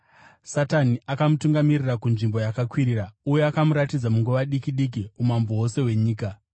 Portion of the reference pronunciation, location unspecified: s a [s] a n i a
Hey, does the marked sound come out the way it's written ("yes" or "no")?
no